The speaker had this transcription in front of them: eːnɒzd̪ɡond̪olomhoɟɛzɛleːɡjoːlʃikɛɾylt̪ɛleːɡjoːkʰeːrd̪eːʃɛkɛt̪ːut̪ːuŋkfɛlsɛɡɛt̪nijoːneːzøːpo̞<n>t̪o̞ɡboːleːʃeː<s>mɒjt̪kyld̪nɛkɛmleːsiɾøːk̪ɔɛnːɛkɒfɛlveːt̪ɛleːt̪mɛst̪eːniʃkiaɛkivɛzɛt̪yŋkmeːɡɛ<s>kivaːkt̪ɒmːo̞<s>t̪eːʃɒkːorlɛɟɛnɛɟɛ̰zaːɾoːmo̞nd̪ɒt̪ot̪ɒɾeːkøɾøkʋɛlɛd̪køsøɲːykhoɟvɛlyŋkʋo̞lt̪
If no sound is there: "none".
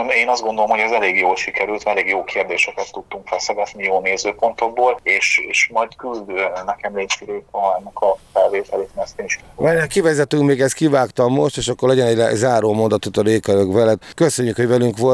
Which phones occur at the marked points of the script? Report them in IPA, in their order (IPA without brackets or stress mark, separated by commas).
n, ʃ, s, ʃ